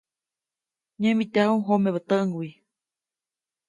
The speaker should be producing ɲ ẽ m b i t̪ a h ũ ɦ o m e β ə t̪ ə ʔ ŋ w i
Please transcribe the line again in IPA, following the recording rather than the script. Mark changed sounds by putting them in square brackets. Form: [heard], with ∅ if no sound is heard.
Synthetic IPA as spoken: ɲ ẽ m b i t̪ a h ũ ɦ o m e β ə t̪ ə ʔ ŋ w i